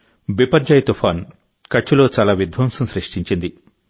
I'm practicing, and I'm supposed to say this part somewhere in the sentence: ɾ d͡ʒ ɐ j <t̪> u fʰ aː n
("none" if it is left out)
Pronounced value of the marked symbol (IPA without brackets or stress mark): t̪